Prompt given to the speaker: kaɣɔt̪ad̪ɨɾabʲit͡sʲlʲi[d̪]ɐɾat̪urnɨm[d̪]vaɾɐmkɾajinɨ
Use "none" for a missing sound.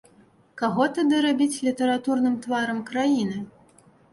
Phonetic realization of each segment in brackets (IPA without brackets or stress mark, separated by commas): t̪, t̪